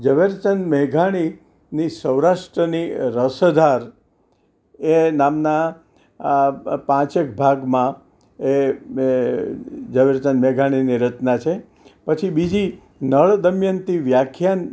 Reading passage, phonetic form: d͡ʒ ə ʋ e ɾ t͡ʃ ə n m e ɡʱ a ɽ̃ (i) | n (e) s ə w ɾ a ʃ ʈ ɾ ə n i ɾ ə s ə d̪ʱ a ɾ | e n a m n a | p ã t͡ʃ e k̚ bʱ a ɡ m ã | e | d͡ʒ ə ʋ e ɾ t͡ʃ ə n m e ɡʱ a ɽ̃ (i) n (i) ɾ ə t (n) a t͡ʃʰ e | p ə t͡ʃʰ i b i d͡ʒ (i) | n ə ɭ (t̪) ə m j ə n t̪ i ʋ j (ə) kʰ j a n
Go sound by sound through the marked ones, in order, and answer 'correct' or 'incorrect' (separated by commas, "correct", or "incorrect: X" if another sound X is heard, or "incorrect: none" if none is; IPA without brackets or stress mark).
correct, incorrect: i, correct, correct, correct, correct, incorrect: d̪, incorrect: a